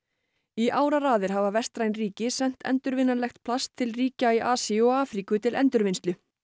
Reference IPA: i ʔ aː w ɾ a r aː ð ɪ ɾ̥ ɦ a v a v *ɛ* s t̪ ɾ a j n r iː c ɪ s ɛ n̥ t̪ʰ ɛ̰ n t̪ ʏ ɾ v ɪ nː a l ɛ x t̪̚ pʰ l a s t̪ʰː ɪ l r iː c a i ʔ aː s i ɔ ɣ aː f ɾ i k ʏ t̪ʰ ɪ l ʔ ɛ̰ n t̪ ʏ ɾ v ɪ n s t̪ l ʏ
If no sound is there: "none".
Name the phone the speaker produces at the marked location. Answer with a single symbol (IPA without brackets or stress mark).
ɛ